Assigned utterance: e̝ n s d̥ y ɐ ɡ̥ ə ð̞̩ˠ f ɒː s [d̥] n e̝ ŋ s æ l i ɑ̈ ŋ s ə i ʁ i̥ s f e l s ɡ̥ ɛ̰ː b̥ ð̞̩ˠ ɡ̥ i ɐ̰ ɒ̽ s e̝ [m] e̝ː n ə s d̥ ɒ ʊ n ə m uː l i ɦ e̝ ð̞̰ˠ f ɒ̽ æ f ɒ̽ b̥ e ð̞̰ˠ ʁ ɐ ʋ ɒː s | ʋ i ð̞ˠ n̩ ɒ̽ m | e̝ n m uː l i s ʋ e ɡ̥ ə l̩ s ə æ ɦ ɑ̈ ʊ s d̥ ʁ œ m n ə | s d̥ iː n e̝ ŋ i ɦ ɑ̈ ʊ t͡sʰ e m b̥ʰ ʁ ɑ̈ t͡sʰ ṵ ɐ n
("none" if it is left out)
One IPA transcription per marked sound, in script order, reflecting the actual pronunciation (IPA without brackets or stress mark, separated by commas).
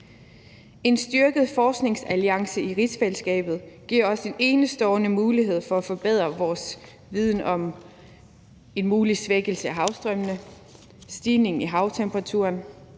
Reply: ɡ̥, n